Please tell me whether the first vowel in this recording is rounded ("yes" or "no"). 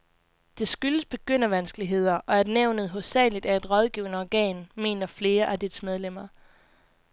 no